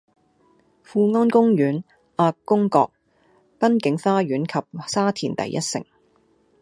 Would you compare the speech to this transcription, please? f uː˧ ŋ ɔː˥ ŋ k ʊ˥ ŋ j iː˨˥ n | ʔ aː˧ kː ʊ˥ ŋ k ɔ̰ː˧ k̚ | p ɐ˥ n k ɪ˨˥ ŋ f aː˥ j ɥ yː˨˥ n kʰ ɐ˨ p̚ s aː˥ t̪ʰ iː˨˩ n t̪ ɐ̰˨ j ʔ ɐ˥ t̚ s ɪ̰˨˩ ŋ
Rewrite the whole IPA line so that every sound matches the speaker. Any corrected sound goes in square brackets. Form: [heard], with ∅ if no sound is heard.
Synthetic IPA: f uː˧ ŋ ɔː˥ [n] k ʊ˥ ŋ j [yː˨˥] n | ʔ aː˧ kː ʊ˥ ŋ k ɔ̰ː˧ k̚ | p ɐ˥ n k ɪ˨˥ ŋ f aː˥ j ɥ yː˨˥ n kʰ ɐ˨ p̚ s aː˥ t̪ʰ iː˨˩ n t̪ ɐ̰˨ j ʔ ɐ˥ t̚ s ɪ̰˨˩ ŋ

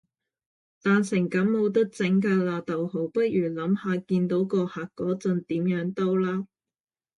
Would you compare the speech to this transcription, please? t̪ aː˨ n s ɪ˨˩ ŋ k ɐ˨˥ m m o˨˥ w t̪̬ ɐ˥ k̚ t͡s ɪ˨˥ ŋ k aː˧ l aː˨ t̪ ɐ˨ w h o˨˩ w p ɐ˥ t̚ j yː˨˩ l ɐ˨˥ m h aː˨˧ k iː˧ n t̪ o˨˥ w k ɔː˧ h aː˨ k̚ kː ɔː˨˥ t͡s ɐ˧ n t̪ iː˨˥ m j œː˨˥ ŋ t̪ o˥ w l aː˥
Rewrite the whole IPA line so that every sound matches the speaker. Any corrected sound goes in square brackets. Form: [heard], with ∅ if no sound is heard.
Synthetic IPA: t̪ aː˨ n s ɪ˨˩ ŋ k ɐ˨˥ m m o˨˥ w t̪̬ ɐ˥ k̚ t͡s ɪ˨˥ ŋ k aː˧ l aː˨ t̪ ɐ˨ w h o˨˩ w p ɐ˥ t̚ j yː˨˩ l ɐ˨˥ m h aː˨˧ k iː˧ n t̪ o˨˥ w k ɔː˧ h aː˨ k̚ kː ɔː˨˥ t͡s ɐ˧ n t̪ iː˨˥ m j œː˨˥ ŋ t̪ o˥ w l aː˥

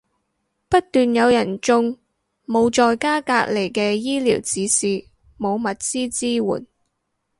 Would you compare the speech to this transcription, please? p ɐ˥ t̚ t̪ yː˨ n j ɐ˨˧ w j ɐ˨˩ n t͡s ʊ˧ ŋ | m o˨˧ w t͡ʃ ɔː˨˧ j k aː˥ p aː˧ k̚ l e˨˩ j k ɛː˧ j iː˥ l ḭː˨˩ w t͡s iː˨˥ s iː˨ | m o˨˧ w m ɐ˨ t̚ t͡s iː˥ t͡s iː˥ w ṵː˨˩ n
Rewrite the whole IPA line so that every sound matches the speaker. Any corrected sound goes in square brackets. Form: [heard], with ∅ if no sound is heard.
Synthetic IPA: p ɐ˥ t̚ t̪ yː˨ n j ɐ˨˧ w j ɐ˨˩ n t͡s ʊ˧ ŋ | m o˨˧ w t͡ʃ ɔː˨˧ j k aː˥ [k] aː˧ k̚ l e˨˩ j k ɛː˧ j iː˥ l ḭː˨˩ w t͡s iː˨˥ s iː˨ | m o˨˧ w m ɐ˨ t̚ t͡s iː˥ t͡s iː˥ w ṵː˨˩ n

